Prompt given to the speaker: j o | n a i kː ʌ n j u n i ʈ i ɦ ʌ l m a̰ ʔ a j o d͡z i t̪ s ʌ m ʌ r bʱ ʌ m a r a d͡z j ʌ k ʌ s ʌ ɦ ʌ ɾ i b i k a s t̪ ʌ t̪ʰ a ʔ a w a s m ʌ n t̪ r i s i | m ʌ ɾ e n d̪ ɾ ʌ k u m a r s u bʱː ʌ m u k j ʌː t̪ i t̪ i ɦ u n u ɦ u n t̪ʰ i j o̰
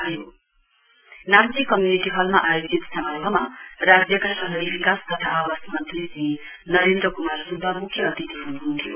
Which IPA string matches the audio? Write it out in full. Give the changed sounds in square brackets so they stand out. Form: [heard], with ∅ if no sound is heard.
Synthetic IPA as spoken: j o | n a i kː ʌ [m] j u n i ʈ i ɦ ʌ l m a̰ ʔ a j o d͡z i t̪ s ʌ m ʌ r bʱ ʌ m a r a d͡z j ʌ k [a] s ʌ ɦ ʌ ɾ i b i k a s t̪ ʌ t̪ʰ a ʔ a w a s m ʌ n t̪ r i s i | [n] ʌ ɾ e n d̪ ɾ ʌ k u m a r s u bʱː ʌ m u [kʰ] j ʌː t̪ i t̪ i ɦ u n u ɦ u n t̪ʰ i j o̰